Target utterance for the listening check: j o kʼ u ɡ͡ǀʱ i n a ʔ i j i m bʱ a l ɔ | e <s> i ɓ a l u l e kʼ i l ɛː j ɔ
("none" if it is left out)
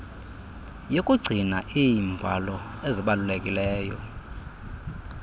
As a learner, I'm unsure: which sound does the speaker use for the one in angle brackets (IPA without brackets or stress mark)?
z